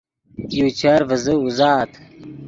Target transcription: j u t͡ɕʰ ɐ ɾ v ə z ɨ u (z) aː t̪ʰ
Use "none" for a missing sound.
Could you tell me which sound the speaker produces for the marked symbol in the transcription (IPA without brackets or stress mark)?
z